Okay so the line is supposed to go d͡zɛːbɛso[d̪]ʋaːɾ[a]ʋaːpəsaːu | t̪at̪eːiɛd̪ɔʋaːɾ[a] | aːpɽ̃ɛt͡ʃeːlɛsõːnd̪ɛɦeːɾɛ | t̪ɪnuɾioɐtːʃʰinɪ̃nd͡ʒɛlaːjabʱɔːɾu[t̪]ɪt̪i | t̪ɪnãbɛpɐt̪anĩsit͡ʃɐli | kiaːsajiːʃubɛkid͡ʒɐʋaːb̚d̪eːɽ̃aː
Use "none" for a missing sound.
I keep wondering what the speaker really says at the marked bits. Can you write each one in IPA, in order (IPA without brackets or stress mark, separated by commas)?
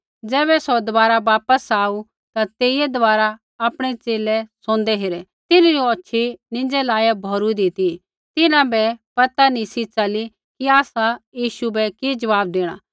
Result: d̪, a, a, d̪